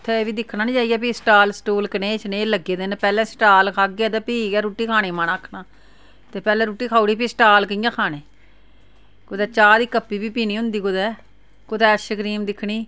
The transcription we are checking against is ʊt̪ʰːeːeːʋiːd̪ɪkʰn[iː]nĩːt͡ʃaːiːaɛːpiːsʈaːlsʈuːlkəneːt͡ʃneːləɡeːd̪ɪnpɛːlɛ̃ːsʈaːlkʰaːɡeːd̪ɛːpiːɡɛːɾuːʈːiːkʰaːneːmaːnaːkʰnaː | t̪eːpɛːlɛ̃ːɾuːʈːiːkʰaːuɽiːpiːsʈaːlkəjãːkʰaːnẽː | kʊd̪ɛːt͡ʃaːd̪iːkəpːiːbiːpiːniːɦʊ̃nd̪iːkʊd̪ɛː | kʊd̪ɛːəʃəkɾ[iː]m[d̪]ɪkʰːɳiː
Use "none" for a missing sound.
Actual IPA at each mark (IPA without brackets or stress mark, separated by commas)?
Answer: aː, iː, d̪